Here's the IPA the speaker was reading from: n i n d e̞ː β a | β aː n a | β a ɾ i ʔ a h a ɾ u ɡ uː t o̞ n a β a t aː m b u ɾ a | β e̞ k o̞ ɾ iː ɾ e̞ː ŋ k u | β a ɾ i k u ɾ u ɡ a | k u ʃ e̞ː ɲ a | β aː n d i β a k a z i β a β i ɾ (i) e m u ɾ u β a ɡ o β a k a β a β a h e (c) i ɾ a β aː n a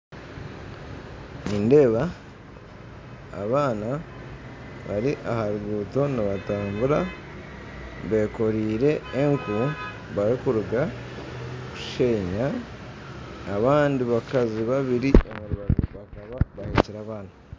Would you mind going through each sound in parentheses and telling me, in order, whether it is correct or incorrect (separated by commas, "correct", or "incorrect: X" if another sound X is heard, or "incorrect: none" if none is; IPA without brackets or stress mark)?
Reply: correct, correct